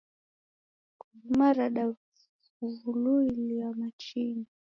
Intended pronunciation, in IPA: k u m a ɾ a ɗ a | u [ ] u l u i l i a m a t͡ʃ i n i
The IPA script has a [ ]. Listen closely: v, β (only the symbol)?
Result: v